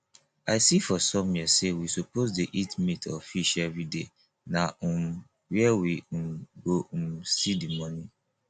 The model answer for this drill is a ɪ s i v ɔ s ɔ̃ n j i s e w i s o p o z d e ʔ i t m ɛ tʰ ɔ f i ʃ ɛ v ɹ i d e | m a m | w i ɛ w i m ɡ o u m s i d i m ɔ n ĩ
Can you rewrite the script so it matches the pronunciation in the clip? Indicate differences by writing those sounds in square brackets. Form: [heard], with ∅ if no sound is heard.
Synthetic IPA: a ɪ s i [f] ɔ s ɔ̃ [m] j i s e w i s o p o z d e ʔ i t m [i] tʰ ɔ f i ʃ ɛ v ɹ i d e | [n] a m | w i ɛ w i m ɡ o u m s i d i m ɔ n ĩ

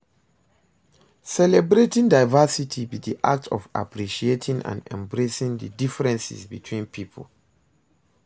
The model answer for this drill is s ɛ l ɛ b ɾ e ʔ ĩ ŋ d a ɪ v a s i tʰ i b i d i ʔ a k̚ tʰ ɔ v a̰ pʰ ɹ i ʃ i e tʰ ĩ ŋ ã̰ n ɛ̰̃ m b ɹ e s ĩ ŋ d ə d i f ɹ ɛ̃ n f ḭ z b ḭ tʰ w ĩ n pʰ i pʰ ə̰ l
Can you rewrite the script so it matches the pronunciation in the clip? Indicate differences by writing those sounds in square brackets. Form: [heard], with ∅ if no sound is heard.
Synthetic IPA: s ɛ l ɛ b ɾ e [t] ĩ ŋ d a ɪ v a s i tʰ i b i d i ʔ a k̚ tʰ ɔ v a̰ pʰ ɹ i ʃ i e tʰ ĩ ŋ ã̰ n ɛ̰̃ m b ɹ e s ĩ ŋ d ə d i f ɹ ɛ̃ n [s] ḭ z b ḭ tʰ w ĩ n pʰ i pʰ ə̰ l

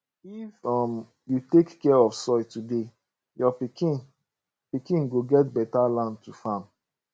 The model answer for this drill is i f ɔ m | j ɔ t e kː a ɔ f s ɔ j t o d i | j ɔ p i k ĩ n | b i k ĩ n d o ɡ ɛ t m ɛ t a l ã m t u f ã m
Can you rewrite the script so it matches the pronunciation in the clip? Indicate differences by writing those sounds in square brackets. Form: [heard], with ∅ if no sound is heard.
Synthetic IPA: i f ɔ m | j [u] t e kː [ɛ] ɔ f s ɔ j t [u] d [e] | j ɔ p i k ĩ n | [p] i k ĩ n [ɡ] o ɡ ɛ t [b] ɛ t a l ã [n] t u f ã m

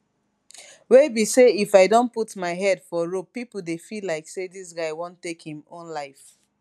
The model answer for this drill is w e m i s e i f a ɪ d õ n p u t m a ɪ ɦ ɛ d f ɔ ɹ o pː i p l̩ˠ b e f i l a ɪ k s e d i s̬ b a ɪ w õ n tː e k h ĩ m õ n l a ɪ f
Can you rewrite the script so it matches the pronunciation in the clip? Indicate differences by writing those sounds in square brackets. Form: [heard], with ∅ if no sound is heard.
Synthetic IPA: w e [b] i s e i f a ɪ d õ n p u t m a ɪ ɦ ɛ d f ɔ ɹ o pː i p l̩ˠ [d] e f i l a ɪ k s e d i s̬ [ɡ] a ɪ w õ n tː e k h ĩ m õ n l a ɪ f

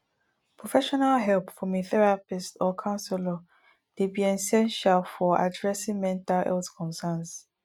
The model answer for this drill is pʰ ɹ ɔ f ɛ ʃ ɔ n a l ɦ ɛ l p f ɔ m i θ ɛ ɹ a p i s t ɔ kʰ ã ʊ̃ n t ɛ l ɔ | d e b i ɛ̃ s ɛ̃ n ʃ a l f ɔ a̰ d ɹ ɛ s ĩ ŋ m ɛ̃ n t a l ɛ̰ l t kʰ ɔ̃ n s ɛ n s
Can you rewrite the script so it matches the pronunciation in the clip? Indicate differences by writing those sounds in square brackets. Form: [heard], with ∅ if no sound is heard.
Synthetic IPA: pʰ ɹ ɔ f ɛ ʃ ɔ n a l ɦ ɛ l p f ɔ m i θ ɛ ɹ a p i s t ɔ kʰ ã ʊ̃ n [s] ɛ l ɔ | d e b i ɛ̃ s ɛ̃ n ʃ a l f ɔ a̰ d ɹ ɛ s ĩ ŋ m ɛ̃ n t a l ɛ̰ l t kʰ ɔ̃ n s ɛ n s

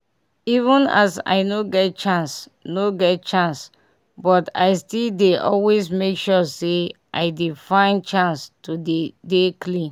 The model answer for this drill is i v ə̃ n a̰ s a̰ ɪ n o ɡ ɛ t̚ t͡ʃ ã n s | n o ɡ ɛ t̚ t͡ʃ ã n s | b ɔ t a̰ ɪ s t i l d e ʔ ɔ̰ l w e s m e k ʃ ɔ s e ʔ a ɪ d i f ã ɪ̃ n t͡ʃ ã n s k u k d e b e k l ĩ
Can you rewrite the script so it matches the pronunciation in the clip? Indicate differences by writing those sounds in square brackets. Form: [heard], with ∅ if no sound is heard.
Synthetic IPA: i v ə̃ n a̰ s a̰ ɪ n o ɡ ɛ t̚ t͡ʃ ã n s | n o ɡ ɛ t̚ t͡ʃ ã n s | b ɔ t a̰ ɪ s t i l d e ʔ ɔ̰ l w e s m e k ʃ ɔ s e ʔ a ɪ d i f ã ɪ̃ n t͡ʃ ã n s [t] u [∅] d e [d] e k l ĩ

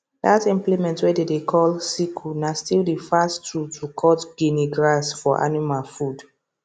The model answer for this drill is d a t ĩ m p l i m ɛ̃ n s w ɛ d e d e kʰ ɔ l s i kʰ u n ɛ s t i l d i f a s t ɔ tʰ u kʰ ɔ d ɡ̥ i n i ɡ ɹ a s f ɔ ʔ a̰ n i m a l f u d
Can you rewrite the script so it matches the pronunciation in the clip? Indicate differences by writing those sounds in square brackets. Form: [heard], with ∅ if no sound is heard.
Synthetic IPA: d a t ĩ m p l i m ɛ̃ n [t] w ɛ d e d e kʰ ɔ l s i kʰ u n [a] s t i l d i f a s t [u] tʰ u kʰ ɔ [t] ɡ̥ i n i ɡ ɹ a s f ɔ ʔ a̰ n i m a l f u d

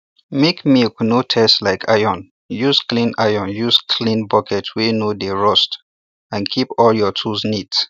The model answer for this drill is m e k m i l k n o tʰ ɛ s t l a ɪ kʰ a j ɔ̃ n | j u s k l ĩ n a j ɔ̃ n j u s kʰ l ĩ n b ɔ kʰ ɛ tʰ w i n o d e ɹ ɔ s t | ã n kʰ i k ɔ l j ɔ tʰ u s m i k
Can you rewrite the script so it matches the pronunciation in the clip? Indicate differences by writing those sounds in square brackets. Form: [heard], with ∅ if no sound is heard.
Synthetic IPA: m e k m i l k n o tʰ ɛ s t l a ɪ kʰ a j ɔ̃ n | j u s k l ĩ n a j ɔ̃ n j u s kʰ l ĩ n b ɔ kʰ ɛ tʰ w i n o d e ɹ ɔ s t | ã n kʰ i [p] ɔ l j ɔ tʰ u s [n] i [t]

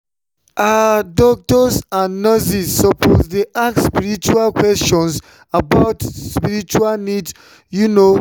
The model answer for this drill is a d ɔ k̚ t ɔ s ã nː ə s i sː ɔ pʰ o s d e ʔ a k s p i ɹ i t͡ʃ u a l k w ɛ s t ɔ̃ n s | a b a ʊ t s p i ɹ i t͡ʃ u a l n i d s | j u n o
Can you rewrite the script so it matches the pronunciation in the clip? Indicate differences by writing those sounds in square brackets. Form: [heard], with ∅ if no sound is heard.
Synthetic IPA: a d ɔ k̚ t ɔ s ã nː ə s i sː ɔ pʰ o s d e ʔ a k s p i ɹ i t͡ʃ u a l k w ɛ s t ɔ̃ n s | a b a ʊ t s p i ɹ i t͡ʃ u a l n i d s | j u n o

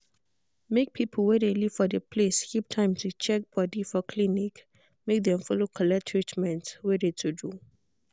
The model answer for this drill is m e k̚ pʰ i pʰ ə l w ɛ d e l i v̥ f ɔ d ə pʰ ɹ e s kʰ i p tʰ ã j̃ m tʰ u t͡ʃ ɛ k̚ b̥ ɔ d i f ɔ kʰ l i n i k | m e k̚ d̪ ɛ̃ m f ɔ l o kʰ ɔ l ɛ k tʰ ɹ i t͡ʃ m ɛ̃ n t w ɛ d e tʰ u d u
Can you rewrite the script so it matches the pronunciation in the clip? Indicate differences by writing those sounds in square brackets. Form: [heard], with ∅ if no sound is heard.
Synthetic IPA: m e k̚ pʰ i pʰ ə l w ɛ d e l i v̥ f ɔ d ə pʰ [l] e s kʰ i p tʰ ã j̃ m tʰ u t͡ʃ ɛ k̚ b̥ ɔ d i f ɔ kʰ l i n i k | m e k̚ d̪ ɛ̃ m f ɔ l o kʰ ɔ l ɛ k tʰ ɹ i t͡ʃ m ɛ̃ n t w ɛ d e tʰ u d u

